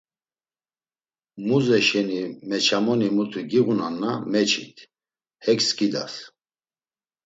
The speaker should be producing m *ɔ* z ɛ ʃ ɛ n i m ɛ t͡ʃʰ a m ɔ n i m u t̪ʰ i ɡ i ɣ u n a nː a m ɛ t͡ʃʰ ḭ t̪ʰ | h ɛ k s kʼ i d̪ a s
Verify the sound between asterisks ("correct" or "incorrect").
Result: incorrect